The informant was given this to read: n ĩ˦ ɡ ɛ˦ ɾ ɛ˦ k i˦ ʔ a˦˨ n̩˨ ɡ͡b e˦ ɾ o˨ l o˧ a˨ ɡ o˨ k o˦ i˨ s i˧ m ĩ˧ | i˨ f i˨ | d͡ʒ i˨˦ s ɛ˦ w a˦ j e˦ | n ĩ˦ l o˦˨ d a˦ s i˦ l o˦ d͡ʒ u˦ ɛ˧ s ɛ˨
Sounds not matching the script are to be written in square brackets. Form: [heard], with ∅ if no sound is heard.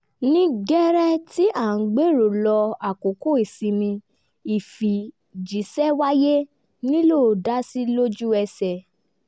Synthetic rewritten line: n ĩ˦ ɡ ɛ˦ ɾ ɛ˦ [t] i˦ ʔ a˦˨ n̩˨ ɡ͡b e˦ ɾ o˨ l [ɔ˧] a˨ [k] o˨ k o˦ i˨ s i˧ m ĩ˧ | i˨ f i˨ | d͡ʒ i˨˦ s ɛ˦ w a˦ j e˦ | n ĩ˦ l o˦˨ d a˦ s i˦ l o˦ d͡ʒ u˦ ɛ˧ s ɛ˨